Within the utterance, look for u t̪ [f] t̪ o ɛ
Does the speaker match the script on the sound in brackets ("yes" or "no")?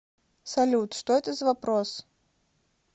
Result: no